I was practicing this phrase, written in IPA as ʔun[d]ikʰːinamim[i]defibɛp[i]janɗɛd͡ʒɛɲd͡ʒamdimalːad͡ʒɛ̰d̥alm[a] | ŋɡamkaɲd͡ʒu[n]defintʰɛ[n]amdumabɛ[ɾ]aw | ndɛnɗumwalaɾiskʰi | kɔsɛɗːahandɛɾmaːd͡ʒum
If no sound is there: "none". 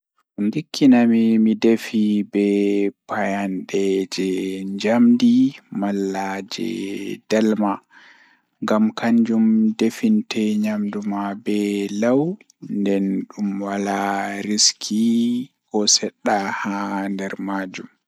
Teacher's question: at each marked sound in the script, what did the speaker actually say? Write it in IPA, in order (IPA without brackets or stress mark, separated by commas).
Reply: d, i, a, a, m, ɲ, l